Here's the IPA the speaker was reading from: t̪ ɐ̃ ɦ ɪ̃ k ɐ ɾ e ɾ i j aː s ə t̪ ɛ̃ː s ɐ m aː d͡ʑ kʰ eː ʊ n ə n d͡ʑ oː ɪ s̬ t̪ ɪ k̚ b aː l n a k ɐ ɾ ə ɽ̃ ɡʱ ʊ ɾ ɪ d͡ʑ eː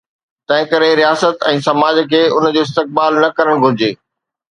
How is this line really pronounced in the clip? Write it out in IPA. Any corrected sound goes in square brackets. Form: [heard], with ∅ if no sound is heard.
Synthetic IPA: t̪ ɐ̃ ɦ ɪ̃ k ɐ ɾ e ɾ i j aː s ə t̪ ɛ̃ː s ɐ m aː d͡ʑ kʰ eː ʊ n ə [∅] d͡ʑ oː ɪ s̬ t̪ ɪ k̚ b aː l n [ɐ] k ɐ ɾ ə ɽ̃ ɡʱ ʊ ɾ ɪ d͡ʑ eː